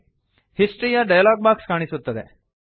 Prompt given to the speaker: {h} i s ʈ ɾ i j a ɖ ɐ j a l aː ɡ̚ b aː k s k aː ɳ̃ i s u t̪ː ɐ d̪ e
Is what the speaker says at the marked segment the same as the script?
yes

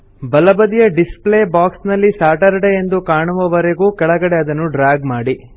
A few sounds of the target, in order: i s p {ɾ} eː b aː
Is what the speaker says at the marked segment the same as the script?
no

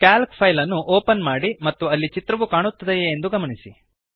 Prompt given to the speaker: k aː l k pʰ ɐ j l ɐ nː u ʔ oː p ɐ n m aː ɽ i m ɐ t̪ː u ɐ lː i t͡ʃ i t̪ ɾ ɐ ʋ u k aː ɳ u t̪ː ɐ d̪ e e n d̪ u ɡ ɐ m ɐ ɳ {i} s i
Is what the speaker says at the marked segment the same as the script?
yes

